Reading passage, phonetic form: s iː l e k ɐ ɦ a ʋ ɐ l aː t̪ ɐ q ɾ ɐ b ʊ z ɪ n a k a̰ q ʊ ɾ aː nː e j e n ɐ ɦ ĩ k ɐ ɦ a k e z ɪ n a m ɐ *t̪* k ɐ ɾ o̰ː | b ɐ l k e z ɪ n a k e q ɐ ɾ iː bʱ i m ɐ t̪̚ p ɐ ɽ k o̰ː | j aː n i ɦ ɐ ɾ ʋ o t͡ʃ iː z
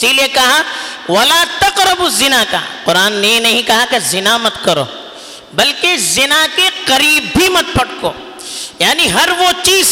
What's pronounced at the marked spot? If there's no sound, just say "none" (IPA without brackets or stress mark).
t̪